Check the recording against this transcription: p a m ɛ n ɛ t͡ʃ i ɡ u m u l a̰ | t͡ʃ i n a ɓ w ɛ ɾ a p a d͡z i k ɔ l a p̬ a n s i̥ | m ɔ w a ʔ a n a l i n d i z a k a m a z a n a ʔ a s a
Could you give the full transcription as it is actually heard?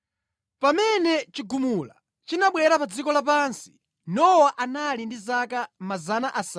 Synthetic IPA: p a m ɛ n ɛ t͡ʃ i ɡ u m u l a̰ | t͡ʃ i n a ɓ w ɛ ɾ a p a d͡z i k ɔ l a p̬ a n s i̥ | n ɔ w a ʔ a n a l i n d i z a k a m a z a n a ʔ a s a